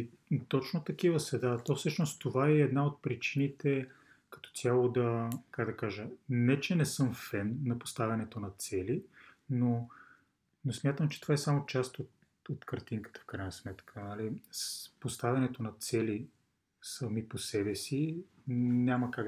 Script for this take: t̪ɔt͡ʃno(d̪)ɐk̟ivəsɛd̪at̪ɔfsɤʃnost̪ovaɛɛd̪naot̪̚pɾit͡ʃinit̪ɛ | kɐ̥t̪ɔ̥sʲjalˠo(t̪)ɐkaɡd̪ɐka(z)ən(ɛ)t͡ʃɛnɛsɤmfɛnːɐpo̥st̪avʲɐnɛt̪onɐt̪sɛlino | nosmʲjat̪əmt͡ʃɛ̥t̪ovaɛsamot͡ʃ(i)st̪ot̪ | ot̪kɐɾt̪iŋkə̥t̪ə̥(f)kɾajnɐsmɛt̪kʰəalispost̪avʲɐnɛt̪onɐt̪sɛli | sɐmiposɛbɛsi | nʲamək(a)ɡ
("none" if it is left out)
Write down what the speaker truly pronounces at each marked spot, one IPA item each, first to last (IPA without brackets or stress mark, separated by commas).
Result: t̪, d̪, ʒ, ɛ, a, f, a